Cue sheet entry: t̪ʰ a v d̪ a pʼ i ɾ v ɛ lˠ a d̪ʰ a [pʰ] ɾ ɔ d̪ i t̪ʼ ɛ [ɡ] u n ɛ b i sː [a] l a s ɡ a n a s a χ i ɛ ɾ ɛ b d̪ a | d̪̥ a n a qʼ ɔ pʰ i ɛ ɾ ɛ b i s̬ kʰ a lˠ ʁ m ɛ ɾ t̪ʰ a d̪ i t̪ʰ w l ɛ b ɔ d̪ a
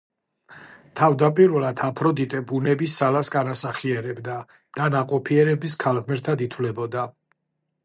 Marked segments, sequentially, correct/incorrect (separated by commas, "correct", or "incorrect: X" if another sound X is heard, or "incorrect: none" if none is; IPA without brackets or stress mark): correct, incorrect: b, correct